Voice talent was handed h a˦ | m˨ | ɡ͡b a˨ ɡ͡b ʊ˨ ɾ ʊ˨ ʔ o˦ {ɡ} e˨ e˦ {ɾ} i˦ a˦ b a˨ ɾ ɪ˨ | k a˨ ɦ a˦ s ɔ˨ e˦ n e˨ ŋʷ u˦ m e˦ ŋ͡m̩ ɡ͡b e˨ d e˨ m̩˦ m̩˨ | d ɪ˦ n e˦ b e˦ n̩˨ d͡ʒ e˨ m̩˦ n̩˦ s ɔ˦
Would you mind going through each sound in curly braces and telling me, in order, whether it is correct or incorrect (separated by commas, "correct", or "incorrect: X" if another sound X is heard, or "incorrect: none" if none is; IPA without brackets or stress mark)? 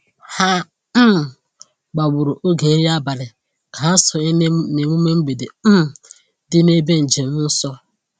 correct, correct